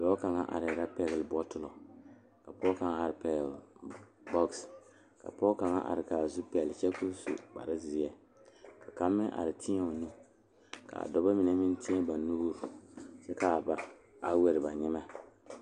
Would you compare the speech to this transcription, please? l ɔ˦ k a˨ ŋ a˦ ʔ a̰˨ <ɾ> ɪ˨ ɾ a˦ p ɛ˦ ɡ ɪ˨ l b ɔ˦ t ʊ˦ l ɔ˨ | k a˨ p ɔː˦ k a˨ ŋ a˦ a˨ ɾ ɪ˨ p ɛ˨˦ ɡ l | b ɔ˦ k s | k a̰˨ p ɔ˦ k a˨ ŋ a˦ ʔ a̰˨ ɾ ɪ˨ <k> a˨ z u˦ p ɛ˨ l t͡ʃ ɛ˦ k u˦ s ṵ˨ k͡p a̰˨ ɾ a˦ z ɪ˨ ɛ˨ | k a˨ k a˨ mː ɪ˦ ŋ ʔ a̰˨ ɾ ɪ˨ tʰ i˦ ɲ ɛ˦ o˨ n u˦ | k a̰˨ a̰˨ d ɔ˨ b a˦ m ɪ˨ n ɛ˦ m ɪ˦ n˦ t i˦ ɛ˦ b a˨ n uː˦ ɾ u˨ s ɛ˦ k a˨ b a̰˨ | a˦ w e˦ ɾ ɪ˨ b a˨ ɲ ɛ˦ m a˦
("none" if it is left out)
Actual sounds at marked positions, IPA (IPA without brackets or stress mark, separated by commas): ɾ, k